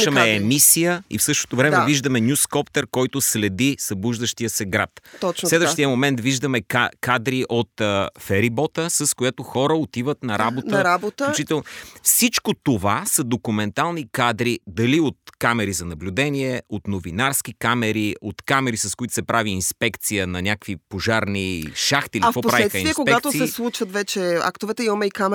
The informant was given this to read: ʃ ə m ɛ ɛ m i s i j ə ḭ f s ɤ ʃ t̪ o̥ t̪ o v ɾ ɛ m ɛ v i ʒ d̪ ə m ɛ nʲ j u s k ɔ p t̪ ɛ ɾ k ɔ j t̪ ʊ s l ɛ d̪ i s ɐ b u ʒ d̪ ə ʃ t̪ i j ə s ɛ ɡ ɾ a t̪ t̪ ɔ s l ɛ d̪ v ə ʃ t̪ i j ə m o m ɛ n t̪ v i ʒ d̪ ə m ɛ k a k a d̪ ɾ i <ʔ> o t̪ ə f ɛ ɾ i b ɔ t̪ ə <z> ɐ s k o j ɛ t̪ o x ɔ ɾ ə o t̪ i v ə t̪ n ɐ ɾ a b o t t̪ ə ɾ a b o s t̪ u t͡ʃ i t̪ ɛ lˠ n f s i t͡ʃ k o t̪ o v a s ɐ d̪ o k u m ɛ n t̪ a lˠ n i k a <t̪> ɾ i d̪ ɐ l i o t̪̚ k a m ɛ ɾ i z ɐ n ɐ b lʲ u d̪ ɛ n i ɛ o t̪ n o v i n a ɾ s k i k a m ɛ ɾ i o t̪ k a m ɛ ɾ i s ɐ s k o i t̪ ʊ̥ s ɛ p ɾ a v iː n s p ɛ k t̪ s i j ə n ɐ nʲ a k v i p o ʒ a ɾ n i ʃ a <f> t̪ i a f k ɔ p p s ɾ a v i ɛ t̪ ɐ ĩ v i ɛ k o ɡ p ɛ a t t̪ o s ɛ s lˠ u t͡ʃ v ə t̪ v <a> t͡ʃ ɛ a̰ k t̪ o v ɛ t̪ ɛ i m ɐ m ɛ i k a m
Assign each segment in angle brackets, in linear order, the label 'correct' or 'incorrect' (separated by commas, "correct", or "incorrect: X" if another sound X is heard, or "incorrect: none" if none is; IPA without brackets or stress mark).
correct, incorrect: s, incorrect: d̪, incorrect: x, incorrect: ɛ